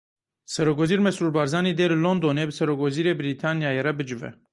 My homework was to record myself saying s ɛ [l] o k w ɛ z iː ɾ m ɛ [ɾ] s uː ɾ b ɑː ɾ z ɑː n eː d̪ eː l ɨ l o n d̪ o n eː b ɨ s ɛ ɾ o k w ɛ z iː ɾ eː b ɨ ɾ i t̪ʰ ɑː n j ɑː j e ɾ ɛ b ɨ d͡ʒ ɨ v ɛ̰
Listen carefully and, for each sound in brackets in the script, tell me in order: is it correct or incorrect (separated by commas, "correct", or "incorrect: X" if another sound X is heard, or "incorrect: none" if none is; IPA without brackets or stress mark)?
incorrect: ɾ, incorrect: none